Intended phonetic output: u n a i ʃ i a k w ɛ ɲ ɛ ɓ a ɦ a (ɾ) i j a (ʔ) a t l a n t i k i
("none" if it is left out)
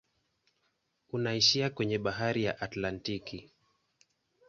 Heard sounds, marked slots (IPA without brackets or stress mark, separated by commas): ɾ, ʔ